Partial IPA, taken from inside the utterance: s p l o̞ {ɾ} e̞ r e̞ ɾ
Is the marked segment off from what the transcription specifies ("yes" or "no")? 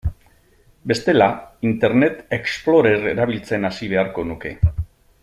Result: no